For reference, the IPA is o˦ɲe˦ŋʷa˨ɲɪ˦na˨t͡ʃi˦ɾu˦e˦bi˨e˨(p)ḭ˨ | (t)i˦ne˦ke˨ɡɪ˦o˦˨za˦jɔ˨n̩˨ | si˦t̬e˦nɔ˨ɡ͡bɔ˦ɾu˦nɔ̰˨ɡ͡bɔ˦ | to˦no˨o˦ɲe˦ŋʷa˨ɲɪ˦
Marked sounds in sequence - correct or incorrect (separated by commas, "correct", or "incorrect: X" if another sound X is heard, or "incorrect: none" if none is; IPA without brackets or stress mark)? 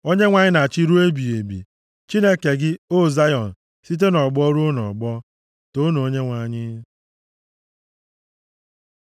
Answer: incorrect: b, incorrect: t͡ʃ